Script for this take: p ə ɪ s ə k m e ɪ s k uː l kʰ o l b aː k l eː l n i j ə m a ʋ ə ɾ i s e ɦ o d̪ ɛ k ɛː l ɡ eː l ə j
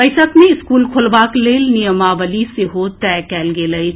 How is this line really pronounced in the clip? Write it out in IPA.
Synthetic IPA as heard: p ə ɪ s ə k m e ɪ s k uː l kʰ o l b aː k l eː l n i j ə m a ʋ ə l i s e ɦ o t̪ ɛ k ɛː l ɡ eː l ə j